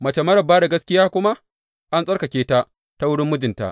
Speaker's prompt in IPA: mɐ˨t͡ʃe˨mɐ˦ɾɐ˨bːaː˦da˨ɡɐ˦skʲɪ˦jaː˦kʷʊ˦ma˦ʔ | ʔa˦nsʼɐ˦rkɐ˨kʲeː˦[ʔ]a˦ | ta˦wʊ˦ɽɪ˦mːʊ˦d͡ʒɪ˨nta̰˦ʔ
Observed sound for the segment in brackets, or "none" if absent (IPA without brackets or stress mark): t